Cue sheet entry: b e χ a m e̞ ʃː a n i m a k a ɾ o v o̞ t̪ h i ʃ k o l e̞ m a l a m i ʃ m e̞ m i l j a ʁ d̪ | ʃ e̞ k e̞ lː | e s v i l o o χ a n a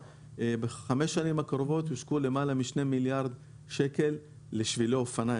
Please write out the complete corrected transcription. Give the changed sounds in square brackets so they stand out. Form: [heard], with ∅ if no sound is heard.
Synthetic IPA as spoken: b e χ a m e̞ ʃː a n i m a k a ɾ o v o̞ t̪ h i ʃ k [u] l e̞ m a l a m i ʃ [n] e̞ m i l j a ʁ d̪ | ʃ e̞ k e̞ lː | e [ʃ] v i l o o [f] a n a